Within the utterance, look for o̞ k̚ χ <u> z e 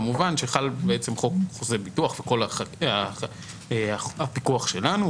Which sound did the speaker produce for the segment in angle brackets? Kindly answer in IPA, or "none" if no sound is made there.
o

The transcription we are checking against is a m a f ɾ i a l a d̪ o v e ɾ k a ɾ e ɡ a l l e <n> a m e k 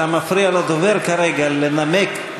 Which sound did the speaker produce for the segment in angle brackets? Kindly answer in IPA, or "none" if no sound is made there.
n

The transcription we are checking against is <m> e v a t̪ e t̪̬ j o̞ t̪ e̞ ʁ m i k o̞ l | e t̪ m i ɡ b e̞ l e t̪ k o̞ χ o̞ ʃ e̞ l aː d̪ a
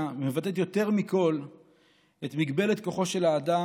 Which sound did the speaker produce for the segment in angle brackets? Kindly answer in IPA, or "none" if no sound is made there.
m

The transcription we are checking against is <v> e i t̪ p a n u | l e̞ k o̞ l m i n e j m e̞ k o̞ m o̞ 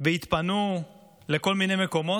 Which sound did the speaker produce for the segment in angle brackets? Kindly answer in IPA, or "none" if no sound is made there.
v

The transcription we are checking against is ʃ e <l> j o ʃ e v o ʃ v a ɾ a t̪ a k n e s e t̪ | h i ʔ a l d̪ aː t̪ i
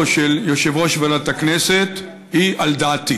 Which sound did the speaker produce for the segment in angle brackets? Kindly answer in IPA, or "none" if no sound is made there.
l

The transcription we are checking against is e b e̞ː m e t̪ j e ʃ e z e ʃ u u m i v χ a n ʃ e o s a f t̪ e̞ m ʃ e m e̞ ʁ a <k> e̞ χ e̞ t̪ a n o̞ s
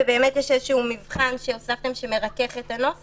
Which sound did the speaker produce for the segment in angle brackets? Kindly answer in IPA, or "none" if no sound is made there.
k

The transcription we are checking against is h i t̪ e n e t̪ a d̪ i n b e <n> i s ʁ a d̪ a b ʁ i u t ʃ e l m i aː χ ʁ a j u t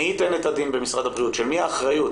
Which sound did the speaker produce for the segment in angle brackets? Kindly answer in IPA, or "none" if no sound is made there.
m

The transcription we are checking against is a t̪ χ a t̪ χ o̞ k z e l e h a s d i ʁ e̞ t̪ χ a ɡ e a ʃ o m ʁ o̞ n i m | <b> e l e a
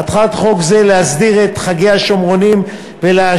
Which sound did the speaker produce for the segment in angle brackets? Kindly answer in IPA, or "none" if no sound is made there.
v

